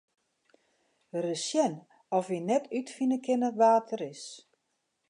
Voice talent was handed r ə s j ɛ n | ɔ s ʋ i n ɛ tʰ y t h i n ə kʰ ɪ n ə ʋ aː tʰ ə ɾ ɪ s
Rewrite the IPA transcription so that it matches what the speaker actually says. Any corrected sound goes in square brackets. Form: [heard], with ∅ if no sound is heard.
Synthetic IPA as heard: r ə s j ɛ n | ɔ [f] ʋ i n ɛ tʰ y t [f] i n ə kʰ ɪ n ə ʋ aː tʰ ə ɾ ɪ s